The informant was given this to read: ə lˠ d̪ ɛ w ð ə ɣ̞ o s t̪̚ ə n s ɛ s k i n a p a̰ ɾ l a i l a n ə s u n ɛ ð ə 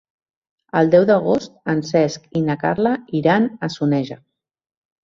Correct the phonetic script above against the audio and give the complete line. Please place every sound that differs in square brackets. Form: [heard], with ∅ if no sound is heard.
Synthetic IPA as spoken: ə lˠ d̪ ɛ w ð ə ɣ̞ o s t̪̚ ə n s ɛ s k i n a [k] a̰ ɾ l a i [ɾ] a n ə s u n ɛ [ʒ] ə